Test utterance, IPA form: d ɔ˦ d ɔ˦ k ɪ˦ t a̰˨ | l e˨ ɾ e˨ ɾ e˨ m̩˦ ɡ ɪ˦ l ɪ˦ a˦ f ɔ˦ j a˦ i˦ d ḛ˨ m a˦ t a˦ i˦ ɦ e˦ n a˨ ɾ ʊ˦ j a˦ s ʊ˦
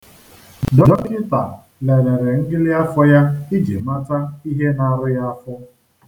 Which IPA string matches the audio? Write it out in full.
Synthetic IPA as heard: d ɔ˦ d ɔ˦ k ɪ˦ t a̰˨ | l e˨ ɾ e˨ ɾ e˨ ŋ̩˦ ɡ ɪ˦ l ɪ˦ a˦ f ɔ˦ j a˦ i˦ d͡ʒ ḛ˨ m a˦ t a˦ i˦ ɦ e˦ n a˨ ɾ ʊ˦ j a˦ f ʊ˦

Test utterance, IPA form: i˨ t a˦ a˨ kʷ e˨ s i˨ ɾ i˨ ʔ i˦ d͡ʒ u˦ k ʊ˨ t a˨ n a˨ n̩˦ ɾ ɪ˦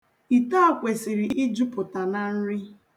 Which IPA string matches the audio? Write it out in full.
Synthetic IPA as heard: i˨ t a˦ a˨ kʷ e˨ s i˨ ɾ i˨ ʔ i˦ d͡ʒ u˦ p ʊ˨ t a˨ n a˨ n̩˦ ɾ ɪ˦

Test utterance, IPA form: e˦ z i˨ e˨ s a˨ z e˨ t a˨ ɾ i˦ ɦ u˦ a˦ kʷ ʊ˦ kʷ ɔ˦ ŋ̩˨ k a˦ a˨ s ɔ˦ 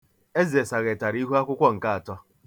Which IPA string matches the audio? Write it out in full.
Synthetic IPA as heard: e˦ z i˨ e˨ s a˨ ɣ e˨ t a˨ ɾ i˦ ɦ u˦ a˦ kʷ ʊ˦ kʷ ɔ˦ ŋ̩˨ k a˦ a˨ t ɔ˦

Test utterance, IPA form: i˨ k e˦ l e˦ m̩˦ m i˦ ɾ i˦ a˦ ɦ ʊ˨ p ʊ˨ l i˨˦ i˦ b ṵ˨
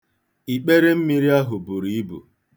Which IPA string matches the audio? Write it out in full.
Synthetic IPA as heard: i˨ k͡p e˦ ɾ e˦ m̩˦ m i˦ ɾ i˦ a˦ ɦ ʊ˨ b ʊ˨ ɾ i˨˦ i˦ b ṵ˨

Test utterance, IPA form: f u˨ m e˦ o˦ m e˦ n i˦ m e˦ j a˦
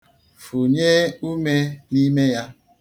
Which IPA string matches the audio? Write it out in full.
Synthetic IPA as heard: f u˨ ɲ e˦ u˦ m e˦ n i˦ m e˦ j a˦

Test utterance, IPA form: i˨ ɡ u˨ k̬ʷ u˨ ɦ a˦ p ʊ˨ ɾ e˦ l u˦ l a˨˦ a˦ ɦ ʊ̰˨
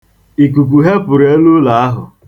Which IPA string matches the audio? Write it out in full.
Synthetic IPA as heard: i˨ k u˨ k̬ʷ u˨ ɦ e˦ p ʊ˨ ɾ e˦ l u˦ l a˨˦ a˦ ɦ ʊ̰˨

